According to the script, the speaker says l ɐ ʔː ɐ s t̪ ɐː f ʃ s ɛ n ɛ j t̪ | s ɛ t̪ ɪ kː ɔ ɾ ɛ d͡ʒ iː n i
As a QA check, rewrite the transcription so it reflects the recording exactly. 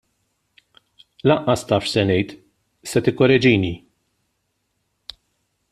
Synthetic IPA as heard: l ɐ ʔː ɐ s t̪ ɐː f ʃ s ɛ n ɛ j t̪ | s ɛ t̪ ɪ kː ɔ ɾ ɛ d͡ʒ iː n i